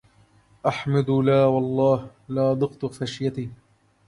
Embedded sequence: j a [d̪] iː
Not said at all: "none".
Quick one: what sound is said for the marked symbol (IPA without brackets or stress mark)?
t̪